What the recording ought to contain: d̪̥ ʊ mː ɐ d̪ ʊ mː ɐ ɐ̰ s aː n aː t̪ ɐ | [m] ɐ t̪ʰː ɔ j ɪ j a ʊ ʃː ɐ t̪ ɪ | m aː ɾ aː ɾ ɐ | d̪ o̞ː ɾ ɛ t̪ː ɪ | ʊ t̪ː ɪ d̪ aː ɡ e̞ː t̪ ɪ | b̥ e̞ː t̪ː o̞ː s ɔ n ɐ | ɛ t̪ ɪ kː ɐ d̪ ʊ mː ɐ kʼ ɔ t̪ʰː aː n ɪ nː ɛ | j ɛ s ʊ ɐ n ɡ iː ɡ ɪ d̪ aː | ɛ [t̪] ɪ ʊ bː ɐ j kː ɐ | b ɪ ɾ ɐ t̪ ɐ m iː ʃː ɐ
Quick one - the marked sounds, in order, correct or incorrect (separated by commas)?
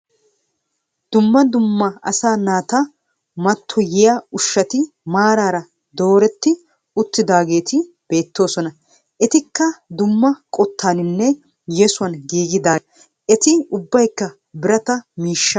correct, correct